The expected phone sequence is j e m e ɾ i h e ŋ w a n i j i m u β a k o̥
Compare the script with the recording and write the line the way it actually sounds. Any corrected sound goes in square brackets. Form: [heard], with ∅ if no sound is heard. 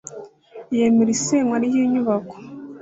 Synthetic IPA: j e m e ɾ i [s] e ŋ w a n i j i [ɲ] u β a k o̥